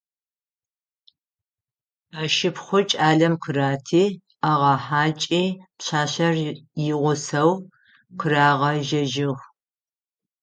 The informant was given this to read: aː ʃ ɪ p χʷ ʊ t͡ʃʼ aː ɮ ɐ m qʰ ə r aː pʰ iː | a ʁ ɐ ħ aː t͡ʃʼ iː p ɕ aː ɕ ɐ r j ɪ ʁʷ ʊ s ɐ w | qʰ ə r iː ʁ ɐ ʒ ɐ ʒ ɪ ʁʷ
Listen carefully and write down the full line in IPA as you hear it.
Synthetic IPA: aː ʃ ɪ p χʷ ʊ t͡ʃʼ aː ɮ ɐ m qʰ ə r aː tʰ iː | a ʁ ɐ ħ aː t͡ʃʼ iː p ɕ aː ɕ ɐ r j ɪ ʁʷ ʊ s ɐ w | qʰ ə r aː ʁ ɐ ʒ ɐ ʒ ɪ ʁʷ